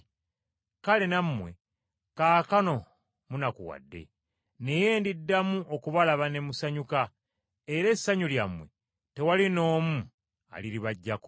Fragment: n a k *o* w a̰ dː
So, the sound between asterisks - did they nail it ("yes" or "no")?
no